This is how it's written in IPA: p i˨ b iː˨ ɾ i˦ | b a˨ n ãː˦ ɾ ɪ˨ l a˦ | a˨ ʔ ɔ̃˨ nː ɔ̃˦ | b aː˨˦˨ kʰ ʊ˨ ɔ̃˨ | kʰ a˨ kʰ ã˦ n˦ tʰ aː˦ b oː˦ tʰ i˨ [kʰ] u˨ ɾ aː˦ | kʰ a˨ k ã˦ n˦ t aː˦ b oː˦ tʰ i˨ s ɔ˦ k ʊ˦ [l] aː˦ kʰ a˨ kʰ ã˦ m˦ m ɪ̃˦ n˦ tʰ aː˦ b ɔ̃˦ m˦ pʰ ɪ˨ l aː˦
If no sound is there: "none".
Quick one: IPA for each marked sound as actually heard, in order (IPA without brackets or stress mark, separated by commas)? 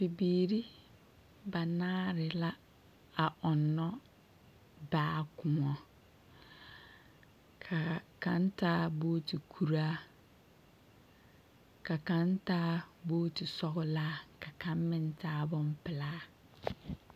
kʰ, l